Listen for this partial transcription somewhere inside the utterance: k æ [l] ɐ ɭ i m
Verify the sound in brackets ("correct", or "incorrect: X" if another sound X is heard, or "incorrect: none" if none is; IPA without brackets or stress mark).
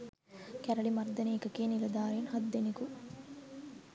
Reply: incorrect: ɾ